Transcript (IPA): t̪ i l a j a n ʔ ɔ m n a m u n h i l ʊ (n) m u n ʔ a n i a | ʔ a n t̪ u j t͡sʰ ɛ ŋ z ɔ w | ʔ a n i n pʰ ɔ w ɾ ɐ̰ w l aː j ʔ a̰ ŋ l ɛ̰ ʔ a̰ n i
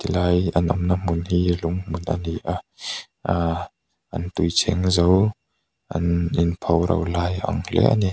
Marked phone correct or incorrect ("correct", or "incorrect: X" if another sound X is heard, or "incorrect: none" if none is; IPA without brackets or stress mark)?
incorrect: ŋ